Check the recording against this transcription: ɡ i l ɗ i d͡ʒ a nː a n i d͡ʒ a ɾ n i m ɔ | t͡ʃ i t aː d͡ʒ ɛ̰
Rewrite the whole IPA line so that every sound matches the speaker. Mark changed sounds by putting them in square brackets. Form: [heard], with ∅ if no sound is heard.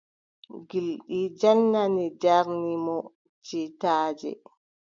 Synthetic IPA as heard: ɡ i l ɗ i d͡ʒ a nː a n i d͡ʒ a ɾ n i m ɔ | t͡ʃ i t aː d͡ʒ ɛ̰